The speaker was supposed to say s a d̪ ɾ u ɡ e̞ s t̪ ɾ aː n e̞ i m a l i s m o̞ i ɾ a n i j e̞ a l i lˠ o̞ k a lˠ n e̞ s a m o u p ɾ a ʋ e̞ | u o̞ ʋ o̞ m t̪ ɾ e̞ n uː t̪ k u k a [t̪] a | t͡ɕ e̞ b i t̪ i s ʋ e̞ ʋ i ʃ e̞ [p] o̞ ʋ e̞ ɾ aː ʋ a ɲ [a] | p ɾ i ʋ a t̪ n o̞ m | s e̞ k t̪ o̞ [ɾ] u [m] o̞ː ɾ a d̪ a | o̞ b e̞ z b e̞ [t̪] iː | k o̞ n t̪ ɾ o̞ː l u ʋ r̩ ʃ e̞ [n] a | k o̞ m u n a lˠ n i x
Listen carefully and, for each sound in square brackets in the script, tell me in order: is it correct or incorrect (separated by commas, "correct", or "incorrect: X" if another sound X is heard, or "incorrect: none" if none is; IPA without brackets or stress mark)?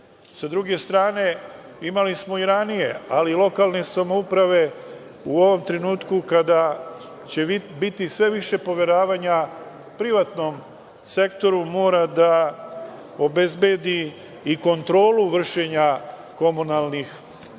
incorrect: d̪, correct, correct, correct, correct, incorrect: d̪, incorrect: ɲ